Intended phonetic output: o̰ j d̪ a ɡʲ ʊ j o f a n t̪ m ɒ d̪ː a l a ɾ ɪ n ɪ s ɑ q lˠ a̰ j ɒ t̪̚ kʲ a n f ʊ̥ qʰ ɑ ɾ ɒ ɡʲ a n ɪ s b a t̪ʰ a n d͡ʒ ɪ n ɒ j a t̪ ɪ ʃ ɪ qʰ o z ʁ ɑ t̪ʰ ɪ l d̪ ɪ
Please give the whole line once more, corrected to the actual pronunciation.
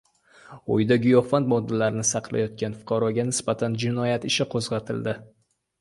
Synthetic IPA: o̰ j d̪ a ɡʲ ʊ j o f a n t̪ m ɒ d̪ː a l a ɾ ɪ n ɪ s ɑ q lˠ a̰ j ɒ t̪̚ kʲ a n f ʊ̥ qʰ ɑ ɾ ɒ ɡʲ a n ɪ s b a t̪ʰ a n d͡ʒ ɪ n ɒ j a t̪ ɪ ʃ ɪ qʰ o z ʁ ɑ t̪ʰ ɪ l d̪ ɪ